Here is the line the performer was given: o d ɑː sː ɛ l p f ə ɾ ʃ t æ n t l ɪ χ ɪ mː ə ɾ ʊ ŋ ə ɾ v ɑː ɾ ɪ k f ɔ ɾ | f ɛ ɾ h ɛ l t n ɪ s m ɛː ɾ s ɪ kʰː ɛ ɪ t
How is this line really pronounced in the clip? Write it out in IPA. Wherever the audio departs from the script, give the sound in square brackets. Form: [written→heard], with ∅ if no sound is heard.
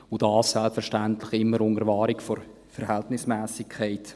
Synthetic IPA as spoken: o d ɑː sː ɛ l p f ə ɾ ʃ t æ n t l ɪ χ ɪ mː ə ɾ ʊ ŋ ə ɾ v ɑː ɾ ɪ k f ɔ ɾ | f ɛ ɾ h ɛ l t n ɪ s m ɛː [ɾ→∅] s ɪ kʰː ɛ ɪ t